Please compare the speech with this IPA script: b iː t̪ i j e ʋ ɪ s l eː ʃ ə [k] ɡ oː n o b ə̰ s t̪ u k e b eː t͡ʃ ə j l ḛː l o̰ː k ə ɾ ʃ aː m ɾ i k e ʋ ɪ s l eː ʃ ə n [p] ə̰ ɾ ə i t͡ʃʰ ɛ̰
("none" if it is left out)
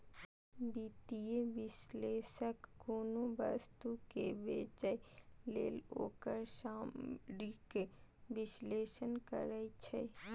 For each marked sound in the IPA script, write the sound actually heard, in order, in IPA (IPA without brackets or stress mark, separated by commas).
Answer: k, k